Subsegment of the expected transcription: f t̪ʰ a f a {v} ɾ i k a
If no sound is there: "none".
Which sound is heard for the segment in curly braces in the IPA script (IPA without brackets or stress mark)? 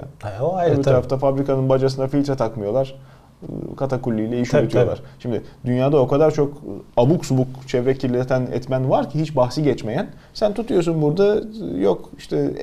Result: b